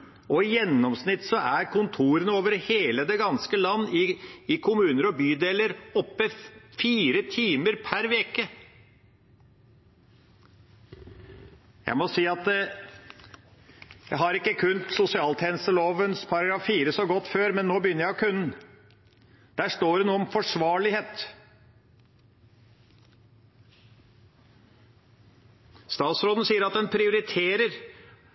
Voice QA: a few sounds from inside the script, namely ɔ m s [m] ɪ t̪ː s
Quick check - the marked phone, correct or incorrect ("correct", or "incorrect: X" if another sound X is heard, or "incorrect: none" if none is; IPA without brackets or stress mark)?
incorrect: n